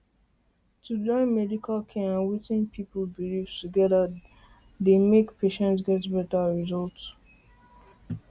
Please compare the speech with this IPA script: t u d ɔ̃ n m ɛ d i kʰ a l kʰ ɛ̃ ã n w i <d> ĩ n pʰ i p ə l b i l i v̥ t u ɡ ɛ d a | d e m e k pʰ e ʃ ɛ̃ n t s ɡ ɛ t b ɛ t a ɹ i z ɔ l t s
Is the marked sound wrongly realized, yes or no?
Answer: yes